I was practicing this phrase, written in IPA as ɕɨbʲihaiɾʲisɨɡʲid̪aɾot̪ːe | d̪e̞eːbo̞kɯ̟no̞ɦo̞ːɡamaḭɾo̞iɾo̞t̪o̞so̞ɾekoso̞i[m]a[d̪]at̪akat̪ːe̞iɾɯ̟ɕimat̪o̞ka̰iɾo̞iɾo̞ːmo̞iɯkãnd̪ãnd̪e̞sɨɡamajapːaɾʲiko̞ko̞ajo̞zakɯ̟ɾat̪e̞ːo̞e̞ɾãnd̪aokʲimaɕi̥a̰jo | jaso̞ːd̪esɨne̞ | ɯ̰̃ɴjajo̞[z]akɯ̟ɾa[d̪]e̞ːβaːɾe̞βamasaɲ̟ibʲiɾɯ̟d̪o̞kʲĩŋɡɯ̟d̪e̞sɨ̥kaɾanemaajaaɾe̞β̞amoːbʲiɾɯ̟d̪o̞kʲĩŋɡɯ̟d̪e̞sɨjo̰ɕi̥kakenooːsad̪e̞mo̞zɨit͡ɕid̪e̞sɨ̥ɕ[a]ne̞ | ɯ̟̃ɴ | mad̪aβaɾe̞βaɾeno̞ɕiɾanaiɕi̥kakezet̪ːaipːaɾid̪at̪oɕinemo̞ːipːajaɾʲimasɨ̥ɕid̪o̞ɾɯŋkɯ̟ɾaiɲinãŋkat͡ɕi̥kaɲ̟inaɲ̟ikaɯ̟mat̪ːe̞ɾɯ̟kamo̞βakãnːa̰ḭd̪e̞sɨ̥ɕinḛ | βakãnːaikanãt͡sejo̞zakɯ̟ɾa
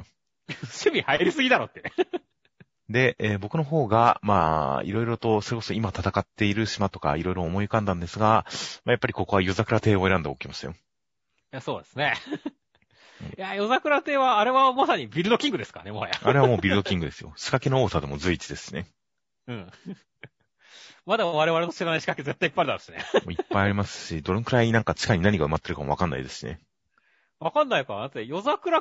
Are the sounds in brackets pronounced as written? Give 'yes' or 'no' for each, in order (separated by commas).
yes, no, yes, no, no